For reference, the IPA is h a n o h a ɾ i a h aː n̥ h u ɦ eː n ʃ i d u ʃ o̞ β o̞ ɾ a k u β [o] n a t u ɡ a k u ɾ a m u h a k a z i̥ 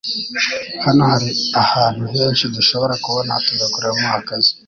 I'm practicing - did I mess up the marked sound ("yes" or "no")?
no